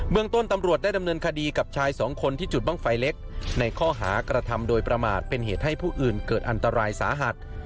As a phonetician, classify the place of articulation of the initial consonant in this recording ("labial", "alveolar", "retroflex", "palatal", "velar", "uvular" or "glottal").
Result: labial